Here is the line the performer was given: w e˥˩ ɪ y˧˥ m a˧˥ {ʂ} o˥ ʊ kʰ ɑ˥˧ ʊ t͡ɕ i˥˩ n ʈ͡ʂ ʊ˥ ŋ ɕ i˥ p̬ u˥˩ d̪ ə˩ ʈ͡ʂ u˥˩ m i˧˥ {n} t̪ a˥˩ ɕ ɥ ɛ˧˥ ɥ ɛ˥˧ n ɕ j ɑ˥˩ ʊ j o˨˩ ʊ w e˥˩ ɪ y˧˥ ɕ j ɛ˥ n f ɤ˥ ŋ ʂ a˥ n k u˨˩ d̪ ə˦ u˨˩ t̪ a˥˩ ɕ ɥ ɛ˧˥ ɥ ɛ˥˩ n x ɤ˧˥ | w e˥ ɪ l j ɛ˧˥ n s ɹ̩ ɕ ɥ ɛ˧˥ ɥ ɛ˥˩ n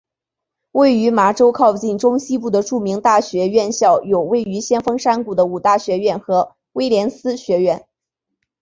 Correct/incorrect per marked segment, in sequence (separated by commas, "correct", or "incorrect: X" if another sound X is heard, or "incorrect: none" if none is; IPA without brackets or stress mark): incorrect: ʈ͡ʂ, incorrect: ŋ